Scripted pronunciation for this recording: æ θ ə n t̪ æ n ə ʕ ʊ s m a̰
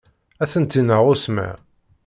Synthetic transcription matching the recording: æ θ ə n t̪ i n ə ʁ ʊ s m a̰

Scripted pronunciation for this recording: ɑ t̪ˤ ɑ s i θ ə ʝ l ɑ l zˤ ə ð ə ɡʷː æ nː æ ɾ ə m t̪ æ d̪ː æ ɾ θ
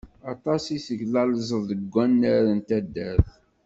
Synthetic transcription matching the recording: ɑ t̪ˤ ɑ s i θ ə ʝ l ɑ l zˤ ə ð ə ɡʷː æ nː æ ɾ ə n t̪ æ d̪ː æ ɾ θ

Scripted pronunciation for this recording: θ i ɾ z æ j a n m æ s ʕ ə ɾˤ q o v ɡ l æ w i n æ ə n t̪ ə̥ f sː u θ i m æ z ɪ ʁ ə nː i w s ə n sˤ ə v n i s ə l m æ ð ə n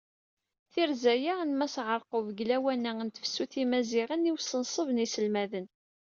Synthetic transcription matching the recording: θ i ɾ z æ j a n m æ s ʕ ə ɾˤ q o v ɡ l æ w æ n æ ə n t̪ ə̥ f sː u θ i m æ z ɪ ʁ ə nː i w s ə n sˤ ə v n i s ə l m æ ð ə n

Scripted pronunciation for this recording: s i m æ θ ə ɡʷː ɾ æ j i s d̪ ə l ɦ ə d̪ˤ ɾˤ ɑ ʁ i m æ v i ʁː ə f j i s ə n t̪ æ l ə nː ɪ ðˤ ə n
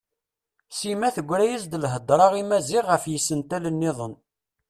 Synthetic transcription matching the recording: s i m æ θ ə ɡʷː ɾ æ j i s d̪ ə l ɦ ə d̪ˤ ɾˤ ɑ ʁ i m æ z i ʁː ə f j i s ə n t̪ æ l ə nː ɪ ðˤ ə n

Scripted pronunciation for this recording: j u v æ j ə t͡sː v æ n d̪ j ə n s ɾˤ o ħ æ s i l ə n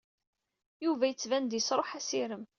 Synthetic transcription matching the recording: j u v æ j ə t͡sː v æ n d̪ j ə s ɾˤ o ħ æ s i ɾ ə m

